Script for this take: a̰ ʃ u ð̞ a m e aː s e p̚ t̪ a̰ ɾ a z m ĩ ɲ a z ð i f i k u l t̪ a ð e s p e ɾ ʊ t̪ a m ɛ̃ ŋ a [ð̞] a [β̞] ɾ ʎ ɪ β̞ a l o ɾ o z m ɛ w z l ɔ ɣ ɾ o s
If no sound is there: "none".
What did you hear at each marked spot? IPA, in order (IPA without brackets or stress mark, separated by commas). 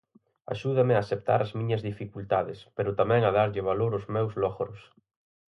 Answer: ð̞, none